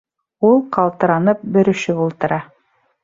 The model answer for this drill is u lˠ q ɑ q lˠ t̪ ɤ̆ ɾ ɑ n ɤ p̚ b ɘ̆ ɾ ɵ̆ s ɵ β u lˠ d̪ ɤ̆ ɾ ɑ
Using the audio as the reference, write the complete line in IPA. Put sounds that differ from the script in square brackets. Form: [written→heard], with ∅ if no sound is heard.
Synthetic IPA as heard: u lˠ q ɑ [q→∅] lˠ t̪ ɤ̆ ɾ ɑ n ɤ p̚ b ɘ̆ ɾ ɵ̆ [s→ʃ] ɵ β u lˠ [d̪→t̪] ɤ̆ ɾ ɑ

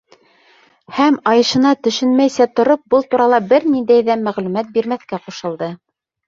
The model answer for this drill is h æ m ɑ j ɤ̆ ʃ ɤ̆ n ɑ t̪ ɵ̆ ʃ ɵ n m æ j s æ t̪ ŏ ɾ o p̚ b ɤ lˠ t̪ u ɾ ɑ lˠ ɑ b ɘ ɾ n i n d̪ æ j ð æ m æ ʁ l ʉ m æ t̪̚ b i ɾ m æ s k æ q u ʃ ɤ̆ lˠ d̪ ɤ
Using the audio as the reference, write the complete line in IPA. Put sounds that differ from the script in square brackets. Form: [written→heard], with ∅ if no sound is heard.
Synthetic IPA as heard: h æ m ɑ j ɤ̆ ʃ ɤ̆ n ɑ t̪ ɵ̆ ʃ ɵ n m æ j s æ t̪ ŏ ɾ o p̚ b ɤ lˠ t̪ u ɾ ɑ lˠ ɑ b ɘ ɾ n i n d̪ æ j ð æ m æ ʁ l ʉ m æ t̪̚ b i ɾ m æ [s→θ] k æ q u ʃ ɤ̆ lˠ d̪ ɤ

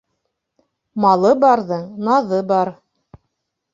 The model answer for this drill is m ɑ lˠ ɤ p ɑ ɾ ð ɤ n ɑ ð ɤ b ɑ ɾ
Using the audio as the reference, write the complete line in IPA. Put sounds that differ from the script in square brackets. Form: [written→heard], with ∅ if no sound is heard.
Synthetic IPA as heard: m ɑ lˠ ɤ [p→b] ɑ ɾ ð ɤ n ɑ ð ɤ b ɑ ɾ

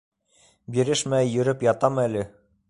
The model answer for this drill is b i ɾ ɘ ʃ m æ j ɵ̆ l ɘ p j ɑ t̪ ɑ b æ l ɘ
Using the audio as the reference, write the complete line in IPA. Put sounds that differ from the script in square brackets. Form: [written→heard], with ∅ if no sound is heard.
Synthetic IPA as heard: b i ɾ ɘ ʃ m æ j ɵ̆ [l→ɾ] ɘ p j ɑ t̪ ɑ [b→m] æ l ɘ

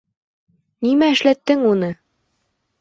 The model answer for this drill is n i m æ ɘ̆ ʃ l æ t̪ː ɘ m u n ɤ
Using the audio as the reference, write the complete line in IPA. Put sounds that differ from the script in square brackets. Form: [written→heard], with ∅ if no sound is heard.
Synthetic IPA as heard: n i m æ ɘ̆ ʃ l æ t̪ː ɘ [m→ŋ] u n ɤ

